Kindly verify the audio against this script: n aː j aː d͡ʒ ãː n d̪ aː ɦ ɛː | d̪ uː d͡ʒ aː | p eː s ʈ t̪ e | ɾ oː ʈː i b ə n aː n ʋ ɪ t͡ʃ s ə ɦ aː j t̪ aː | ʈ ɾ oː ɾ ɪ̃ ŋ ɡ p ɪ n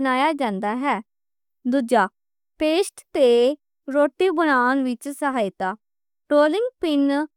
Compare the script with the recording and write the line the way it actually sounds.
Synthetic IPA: n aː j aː d͡ʒ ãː n d̪ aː ɦ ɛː | d̪ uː d͡ʒ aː | p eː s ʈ t̪ e | ɾ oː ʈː i b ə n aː n ʋ ɪ t͡ʃ s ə ɦ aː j t̪ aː | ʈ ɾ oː l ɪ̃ ŋ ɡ p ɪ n